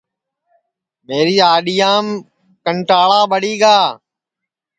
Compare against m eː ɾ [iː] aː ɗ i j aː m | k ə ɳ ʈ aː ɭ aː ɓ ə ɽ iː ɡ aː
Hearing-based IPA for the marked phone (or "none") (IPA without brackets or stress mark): iː